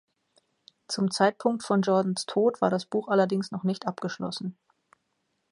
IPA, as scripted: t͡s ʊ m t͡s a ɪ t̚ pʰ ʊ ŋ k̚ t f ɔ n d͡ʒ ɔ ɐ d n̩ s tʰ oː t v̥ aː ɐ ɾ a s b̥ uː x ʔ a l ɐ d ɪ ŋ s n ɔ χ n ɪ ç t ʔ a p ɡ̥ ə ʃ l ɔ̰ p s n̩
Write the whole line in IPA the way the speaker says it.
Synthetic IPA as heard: t͡s ʊ m t͡s a ɪ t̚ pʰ ʊ ŋ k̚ t f ɔ n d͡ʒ ɔ ɐ d n̩ s tʰ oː t v̥ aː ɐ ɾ a s b̥ uː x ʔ a l ɐ d ɪ ŋ s n ɔ χ n ɪ ç t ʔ a p ɡ̥ ə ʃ l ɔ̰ s n̩